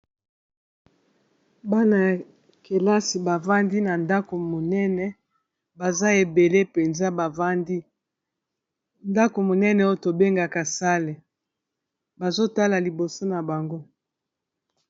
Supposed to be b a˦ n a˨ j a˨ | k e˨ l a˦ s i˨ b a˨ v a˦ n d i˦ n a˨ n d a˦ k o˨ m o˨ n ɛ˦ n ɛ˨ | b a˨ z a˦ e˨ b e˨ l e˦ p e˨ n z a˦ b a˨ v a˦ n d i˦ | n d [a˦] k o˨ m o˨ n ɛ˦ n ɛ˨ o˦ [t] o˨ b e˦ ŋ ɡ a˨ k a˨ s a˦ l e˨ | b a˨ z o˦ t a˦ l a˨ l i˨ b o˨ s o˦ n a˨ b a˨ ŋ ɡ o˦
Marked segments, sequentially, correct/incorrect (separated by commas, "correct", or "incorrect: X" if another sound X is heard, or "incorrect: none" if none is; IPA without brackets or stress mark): correct, correct